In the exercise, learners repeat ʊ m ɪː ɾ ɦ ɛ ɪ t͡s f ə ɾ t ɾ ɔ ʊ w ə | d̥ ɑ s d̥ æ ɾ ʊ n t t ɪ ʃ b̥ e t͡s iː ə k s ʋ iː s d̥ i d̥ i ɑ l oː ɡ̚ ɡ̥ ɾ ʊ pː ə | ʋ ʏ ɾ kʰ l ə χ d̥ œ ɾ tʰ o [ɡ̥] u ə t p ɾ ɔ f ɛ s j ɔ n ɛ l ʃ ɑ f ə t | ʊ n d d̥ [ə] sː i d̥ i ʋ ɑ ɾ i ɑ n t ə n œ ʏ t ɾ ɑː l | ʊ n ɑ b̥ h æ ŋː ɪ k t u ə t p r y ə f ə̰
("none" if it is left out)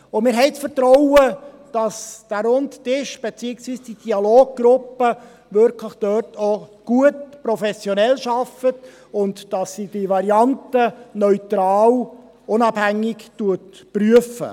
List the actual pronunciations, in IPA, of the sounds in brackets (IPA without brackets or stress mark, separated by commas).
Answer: ɡ̥, ɑ